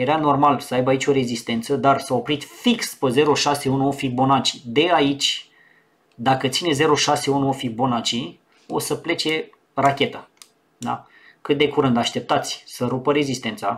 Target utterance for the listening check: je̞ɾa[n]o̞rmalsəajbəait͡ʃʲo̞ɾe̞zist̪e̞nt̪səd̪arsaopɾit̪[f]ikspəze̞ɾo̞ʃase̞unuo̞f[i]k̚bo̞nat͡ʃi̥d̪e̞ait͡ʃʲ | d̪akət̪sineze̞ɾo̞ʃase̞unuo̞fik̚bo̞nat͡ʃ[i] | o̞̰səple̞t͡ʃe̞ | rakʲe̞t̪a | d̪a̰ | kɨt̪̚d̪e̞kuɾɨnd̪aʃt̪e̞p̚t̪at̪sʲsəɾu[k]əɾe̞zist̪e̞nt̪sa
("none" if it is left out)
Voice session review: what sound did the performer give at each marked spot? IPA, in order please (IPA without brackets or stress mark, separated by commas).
n, f, i, i, p